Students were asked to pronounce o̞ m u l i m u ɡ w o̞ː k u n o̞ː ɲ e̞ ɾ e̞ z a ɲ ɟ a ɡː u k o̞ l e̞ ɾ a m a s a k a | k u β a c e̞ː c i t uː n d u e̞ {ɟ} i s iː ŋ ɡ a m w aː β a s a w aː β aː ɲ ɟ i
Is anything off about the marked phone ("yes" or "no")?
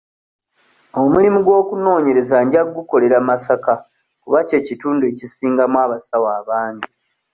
yes